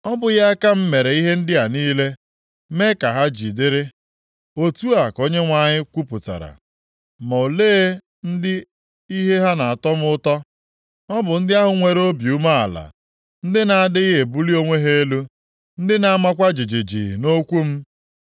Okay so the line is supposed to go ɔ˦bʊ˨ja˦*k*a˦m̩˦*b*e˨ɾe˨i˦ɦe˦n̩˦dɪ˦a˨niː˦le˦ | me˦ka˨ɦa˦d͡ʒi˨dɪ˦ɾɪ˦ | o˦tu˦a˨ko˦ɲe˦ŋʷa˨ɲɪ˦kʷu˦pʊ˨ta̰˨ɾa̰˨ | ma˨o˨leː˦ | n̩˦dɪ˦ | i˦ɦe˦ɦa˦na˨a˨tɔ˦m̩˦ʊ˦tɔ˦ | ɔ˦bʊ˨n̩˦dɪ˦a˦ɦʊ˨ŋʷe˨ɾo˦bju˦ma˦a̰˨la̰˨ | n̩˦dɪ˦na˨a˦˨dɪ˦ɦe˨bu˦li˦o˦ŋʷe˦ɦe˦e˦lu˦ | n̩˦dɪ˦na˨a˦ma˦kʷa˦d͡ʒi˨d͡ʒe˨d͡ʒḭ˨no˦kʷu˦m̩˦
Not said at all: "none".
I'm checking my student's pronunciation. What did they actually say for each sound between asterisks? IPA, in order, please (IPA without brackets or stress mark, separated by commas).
k, m